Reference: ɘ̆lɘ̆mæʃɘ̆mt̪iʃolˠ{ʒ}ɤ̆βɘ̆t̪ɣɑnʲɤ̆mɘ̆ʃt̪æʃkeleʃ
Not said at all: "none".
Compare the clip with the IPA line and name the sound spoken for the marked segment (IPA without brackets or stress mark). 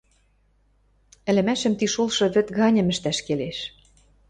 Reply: ʃ